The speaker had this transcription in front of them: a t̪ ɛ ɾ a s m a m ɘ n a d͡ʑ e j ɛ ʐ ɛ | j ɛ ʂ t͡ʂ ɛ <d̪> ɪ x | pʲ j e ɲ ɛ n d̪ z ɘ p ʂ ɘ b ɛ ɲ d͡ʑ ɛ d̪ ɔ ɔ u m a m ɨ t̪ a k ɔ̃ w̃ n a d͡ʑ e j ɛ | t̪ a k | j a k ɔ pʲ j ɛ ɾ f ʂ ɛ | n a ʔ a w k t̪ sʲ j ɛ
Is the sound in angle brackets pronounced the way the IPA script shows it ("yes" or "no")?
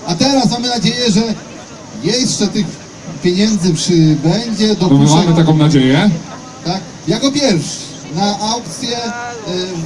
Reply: no